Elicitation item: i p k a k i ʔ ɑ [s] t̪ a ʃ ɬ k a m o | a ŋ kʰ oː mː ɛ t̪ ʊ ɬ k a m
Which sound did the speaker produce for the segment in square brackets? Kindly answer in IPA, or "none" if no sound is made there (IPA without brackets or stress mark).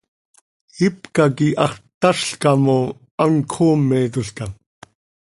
χ